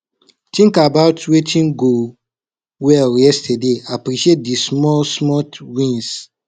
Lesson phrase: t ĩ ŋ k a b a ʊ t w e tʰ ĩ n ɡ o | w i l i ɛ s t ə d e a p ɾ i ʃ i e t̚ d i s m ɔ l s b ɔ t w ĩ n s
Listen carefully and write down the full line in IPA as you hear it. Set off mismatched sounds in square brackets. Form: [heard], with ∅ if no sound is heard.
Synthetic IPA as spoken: t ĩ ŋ k a b a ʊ t w e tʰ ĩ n ɡ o | w [ɛ] l [j] ɛ s t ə d e a p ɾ i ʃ i e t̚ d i s m ɔ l s [m] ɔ t w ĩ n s